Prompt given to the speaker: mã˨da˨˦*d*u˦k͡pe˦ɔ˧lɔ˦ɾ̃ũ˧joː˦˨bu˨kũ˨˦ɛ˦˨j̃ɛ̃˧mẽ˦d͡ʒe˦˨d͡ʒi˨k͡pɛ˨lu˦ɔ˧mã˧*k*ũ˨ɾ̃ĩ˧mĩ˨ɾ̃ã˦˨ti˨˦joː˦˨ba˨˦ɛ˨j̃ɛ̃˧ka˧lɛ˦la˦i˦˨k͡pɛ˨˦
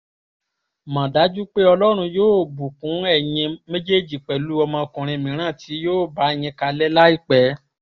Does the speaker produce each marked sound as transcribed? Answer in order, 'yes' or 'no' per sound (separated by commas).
no, yes